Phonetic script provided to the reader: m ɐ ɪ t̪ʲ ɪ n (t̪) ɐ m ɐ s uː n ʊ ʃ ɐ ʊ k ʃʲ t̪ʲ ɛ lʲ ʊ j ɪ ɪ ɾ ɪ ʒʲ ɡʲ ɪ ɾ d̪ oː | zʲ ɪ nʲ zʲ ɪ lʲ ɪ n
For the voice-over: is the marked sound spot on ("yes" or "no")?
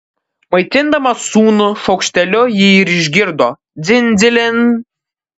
no